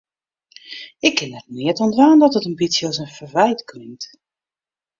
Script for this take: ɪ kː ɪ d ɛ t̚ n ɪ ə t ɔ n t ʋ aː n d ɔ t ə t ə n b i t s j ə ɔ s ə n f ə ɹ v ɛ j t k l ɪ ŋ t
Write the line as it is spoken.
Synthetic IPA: ɪ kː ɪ n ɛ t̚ n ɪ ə t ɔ n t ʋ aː n d ɔ t ə t ə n b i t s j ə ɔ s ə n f ə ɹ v ɛ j t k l ɪ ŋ t